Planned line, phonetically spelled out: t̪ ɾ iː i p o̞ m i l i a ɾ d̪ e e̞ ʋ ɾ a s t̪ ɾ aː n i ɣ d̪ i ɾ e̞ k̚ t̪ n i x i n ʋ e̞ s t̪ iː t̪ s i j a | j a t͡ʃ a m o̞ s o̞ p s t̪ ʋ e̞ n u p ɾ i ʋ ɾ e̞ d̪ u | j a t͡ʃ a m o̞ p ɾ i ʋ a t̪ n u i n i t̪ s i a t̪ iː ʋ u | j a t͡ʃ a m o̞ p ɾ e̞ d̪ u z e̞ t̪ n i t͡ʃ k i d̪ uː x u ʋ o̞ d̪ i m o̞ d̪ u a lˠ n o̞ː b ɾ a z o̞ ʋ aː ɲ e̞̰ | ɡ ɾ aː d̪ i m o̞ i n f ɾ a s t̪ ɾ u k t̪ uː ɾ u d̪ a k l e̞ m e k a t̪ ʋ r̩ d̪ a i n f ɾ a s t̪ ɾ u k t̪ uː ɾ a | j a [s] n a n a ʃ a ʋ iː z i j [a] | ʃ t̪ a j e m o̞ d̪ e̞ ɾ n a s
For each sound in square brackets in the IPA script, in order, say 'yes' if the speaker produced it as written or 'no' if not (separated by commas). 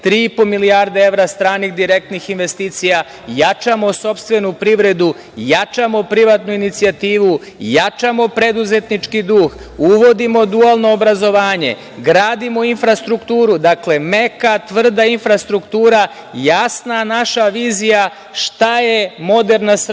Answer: yes, yes